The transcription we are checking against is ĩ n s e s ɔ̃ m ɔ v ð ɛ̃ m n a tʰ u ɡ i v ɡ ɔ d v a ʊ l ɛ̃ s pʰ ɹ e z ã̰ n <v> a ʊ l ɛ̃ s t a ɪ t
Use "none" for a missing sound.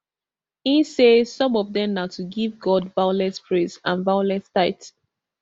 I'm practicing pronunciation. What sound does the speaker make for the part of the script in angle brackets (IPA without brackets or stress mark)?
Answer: v